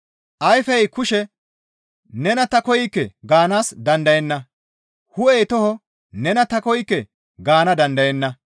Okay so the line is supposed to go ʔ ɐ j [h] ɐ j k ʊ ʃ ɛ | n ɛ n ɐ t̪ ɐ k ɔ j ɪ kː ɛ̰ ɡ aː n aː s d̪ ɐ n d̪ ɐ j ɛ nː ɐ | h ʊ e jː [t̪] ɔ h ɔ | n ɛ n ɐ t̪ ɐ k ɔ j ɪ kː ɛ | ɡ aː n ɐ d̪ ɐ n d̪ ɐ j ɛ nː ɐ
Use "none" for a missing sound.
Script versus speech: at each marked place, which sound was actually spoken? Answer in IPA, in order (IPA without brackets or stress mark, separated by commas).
f, t̪